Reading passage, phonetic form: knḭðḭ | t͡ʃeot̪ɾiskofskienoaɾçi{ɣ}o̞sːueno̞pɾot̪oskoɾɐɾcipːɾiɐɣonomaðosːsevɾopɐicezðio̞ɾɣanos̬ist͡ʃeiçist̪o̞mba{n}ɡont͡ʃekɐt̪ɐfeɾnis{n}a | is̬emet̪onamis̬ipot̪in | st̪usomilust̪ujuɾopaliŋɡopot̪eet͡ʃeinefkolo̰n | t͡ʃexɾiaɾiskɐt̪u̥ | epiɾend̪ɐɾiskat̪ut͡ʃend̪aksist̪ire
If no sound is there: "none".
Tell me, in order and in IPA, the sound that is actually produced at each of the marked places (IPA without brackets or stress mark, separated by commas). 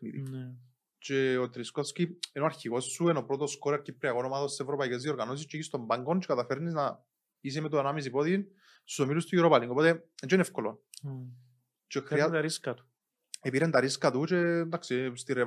ɣ, ŋ, n